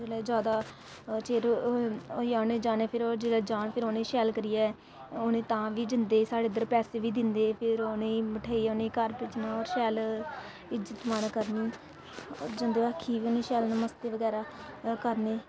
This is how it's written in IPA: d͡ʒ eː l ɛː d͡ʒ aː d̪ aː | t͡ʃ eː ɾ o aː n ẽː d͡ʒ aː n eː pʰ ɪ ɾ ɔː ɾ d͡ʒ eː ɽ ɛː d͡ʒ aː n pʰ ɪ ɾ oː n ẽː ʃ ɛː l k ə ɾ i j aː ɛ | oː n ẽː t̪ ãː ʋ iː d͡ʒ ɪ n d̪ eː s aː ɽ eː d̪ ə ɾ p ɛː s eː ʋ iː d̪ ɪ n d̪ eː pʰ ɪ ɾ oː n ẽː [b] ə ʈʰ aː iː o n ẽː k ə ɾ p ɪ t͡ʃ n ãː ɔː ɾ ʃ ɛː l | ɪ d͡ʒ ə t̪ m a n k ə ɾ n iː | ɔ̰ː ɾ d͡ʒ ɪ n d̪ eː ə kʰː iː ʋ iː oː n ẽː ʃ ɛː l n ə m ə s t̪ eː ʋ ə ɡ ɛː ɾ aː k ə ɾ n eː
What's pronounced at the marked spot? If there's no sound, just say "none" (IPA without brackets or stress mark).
m